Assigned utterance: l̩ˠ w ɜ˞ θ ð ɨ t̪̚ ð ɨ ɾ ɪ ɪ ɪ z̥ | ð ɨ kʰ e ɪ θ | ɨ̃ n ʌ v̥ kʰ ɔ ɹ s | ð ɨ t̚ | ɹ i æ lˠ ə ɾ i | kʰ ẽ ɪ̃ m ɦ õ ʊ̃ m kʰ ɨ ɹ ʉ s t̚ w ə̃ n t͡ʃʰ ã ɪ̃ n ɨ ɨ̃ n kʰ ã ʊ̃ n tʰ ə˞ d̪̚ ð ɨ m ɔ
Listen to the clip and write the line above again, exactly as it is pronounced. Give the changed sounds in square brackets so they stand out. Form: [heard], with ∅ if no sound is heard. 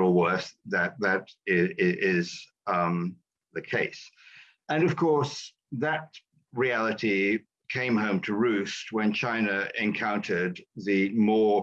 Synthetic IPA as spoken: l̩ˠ w ɜ˞ θ ð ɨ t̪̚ ð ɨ ɾ ɪ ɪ ɪ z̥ | ð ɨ kʰ e ɪ [s] | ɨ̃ n ʌ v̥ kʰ ɔ ɹ s | ð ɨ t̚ | ɹ i æ lˠ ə ɾ i | kʰ ẽ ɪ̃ m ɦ õ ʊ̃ m [tʰ] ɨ ɹ ʉ s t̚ w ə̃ n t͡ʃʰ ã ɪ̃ n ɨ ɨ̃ n kʰ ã ʊ̃ n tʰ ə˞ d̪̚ ð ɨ m ɔ